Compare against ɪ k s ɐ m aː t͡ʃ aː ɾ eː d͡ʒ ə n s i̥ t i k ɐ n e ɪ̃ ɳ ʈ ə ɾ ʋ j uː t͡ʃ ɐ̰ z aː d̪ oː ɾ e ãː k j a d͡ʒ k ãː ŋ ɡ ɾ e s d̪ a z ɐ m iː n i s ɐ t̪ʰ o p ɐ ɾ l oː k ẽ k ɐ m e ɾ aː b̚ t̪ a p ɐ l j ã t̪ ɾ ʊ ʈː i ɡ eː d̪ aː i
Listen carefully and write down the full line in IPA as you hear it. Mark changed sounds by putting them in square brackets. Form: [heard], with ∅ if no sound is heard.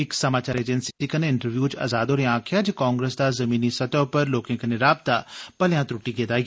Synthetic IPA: ɪ k s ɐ m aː t͡ʃ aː ɾ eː d͡ʒ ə n s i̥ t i k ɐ n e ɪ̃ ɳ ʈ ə ɾ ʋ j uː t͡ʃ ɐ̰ z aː d̪ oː ɾ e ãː [kʰ] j a d͡ʒ k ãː ŋ ɡ ɾ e s d̪ a z ɐ m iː n i s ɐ [t̪] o p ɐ ɾ l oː k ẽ k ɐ [n] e ɾ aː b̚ t̪ a p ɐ l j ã t̪ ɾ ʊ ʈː i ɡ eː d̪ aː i